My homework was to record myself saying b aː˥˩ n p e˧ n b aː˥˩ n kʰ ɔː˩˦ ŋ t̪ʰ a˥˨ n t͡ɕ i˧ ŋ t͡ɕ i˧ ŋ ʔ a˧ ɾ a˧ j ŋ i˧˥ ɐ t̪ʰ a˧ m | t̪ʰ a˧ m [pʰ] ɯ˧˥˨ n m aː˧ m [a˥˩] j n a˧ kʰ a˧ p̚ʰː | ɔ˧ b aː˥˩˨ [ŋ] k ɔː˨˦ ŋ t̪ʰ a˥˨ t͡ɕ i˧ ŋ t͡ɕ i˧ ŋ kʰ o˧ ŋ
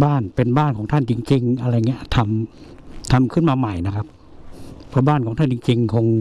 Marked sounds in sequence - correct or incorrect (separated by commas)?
incorrect, incorrect, incorrect